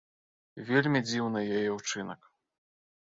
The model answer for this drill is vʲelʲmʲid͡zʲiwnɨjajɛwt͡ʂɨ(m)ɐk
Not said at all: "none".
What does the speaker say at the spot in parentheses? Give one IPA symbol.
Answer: n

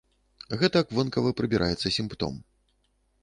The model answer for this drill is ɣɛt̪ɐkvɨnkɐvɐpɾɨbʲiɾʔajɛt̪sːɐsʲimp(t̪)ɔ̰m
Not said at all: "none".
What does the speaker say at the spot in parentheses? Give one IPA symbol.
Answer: t̪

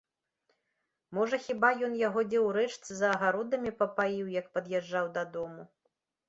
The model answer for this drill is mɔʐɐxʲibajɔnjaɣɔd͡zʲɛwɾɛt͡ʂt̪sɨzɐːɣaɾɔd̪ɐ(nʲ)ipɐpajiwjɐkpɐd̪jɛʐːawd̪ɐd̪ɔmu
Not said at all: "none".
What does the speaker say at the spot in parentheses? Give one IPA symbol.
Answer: mʲ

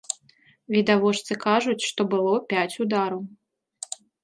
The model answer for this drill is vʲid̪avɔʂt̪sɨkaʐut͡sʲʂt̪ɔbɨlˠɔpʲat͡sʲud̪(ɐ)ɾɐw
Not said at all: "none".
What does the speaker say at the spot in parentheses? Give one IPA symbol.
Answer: a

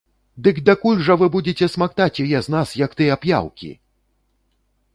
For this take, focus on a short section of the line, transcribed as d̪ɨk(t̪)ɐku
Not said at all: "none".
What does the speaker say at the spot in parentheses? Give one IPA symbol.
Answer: d̪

